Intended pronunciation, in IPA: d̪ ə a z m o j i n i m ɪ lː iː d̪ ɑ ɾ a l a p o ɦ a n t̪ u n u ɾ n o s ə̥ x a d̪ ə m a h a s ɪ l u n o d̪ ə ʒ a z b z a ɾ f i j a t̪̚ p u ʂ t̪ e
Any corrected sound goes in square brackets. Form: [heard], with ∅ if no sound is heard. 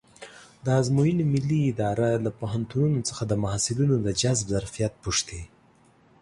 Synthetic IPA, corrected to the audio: d̪ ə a z m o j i n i m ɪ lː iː d̪ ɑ ɾ a l a p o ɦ a n t̪ u n u [∅] n o [t͡s] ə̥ x a d̪ ə m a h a s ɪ l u n o d̪ ə [d͡ʒ] a z b z a ɾ f i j a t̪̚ p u ʂ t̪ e